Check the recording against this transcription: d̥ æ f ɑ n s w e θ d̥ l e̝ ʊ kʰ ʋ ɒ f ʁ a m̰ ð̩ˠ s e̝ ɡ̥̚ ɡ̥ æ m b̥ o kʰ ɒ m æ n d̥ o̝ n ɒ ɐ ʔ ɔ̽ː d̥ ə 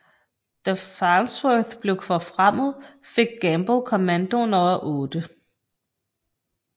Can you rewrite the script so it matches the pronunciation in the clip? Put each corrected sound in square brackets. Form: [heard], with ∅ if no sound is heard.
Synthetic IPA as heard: d̥ æ f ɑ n s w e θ [b̥] l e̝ ʊ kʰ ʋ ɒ f ʁ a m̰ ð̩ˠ [f] e̝ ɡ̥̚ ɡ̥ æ m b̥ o kʰ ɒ m æ n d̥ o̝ n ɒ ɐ ʔ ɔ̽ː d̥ ə